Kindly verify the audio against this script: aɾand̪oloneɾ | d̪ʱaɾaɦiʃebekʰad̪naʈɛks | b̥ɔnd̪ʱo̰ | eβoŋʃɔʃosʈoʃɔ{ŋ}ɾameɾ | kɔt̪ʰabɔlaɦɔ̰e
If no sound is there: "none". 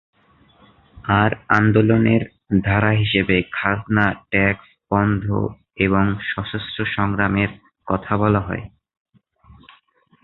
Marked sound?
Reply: ŋ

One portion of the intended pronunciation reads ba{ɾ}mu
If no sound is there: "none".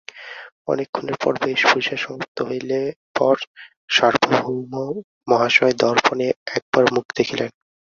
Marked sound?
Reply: ɾ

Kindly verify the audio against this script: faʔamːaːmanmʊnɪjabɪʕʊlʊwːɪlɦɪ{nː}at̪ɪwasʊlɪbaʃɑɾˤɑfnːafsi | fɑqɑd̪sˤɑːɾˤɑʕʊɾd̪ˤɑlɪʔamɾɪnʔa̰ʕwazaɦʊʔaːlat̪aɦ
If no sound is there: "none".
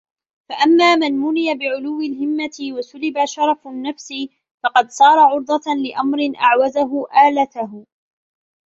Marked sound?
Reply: mː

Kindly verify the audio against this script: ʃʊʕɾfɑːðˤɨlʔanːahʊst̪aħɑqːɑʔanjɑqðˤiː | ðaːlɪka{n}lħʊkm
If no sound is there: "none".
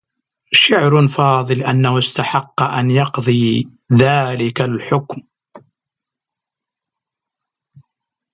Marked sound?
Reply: none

